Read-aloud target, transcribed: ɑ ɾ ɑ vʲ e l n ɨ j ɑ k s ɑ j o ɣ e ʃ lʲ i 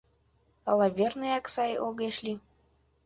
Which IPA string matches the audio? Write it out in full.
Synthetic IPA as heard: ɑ l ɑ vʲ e r n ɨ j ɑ k s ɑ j o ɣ e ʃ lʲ i